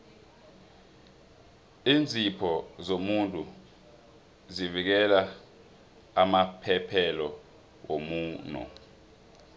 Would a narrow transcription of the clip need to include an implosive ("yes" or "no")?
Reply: no